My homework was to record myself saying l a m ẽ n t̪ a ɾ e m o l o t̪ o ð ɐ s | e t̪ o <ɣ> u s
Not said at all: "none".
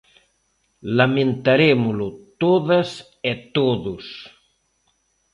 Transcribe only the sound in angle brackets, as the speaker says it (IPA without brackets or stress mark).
ð